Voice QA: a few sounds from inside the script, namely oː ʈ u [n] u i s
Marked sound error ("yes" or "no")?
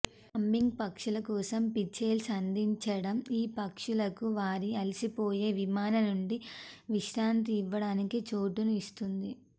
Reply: no